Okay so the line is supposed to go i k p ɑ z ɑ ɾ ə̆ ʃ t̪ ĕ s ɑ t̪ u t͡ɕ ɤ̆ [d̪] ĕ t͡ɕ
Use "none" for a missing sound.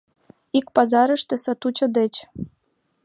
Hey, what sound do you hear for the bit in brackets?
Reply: d̪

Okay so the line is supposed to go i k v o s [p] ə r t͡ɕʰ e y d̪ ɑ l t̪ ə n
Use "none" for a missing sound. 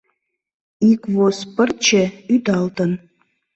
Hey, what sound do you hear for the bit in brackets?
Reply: p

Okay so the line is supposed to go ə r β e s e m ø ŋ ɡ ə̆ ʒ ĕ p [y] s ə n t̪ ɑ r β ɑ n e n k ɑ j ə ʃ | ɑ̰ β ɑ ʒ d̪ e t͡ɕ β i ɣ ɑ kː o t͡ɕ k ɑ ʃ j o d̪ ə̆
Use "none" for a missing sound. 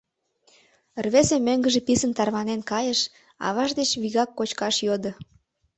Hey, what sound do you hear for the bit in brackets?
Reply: i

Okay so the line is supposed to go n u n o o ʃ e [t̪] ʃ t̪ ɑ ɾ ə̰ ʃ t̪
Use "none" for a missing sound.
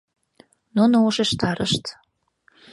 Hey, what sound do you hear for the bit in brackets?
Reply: none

